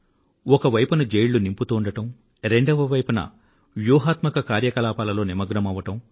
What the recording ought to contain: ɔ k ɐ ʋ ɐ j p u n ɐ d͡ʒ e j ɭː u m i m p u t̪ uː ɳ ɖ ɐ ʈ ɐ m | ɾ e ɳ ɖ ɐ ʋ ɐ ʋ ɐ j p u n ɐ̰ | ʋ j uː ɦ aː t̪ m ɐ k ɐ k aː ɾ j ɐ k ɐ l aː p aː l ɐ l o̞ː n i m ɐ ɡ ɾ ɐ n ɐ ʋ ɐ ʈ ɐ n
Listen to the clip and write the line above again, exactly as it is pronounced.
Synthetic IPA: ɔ k ɐ ʋ ɐ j p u n ɐ d͡ʒ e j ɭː u n i m p u t̪ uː ɳ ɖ ɐ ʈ ɐ m | ɾ e ɳ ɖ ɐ ʋ ɐ ʋ ɐ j p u n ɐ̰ | ʋ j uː ɦ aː t̪ m ɐ k ɐ k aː ɾ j ɐ k ɐ l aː p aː l ɐ l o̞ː n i m ɐ ɡ ɾ ɐ m ɐ ʋ ɐ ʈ ɐ m